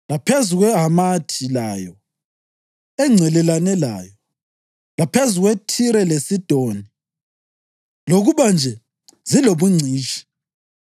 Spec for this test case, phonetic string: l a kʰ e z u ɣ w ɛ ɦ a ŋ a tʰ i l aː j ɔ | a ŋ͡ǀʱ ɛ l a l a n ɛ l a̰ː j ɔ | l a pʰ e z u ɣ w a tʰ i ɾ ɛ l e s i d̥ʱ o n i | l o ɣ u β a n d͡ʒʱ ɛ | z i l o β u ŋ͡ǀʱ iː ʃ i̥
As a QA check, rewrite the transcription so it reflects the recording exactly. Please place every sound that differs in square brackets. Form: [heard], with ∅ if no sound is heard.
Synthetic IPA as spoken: l a [pʰ] e z u ɣ w ɛ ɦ a [m] a tʰ i l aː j ɔ | [ɛ] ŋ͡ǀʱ ɛ l [ɛ] l a n ɛ l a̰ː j ɔ | l a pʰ e z u ɣ w [e] tʰ i ɾ ɛ l e s i d̥ʱ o n i | l o ɣ u β a n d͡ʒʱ ɛ | z i l o β u ŋ͡ǀʱ iː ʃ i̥